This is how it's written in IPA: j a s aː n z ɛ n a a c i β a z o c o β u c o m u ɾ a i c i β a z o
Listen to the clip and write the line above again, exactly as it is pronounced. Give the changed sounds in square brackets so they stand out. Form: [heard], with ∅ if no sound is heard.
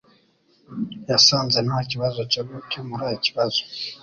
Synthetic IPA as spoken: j a s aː n z [e] n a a c i β a z o c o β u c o m u ɾ a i c i β a z o